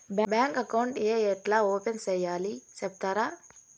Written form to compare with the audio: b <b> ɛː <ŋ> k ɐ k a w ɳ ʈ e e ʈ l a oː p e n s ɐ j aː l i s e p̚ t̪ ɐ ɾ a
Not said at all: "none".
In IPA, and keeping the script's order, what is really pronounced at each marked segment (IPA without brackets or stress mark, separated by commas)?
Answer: b, ŋ